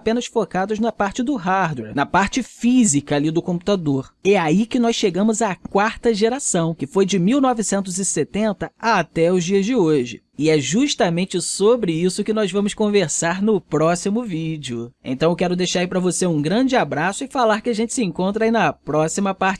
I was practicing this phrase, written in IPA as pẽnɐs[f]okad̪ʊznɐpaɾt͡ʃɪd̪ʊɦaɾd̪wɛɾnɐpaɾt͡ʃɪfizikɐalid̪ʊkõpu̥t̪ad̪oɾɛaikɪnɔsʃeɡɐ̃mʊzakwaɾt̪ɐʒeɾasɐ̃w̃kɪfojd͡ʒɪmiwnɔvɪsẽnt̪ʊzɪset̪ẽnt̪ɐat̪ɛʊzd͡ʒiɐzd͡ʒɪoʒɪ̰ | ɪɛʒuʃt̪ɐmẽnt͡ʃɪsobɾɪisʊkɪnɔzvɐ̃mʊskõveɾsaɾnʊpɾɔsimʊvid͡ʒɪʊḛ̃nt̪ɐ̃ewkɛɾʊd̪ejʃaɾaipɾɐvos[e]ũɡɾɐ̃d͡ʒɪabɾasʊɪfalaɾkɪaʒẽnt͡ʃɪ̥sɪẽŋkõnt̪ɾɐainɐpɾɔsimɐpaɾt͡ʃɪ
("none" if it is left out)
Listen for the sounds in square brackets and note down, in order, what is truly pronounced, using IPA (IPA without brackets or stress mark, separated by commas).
f, e